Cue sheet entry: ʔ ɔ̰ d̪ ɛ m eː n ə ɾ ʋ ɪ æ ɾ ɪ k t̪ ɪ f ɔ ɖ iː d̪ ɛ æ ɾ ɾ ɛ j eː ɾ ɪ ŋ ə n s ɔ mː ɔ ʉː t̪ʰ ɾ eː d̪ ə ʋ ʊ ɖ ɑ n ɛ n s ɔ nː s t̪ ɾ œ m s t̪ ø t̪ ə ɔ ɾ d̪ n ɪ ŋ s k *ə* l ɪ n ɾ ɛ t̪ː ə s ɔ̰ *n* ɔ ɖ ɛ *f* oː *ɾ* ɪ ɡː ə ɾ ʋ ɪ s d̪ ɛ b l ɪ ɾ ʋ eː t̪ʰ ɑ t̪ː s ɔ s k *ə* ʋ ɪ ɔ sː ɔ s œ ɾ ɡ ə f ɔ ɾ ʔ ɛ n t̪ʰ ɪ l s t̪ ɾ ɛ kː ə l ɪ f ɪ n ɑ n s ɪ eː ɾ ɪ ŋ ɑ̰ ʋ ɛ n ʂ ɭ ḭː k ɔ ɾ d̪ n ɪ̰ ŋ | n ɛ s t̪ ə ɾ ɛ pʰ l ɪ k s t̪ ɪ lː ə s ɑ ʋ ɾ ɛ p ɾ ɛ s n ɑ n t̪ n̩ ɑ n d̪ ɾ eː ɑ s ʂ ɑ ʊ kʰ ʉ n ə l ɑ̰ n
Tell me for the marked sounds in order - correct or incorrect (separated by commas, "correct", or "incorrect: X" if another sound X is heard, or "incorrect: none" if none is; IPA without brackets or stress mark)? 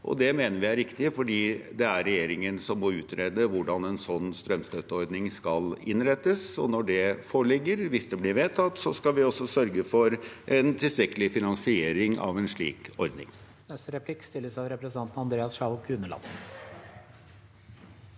incorrect: ɑ, correct, correct, incorrect: ɭ, incorrect: ɑ